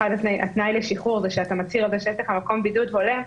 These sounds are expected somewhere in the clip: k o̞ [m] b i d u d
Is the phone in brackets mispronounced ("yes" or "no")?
no